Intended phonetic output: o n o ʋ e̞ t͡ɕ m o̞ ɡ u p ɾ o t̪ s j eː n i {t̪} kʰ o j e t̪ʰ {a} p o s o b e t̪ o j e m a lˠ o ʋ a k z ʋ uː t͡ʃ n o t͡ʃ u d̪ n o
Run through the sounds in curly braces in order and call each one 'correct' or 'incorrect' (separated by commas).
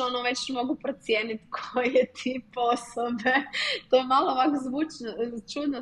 correct, incorrect